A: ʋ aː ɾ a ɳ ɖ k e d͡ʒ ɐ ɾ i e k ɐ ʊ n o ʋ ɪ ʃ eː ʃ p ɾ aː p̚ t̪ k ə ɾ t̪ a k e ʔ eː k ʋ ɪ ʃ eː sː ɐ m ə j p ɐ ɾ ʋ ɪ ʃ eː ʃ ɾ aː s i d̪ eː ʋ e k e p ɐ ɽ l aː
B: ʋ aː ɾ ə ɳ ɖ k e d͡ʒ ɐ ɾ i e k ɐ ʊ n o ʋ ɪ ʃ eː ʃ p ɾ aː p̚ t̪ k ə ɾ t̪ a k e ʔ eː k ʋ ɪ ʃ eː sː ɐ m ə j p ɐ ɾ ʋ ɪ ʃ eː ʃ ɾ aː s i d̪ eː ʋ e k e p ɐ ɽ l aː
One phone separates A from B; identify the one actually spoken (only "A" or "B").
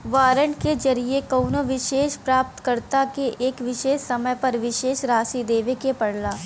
B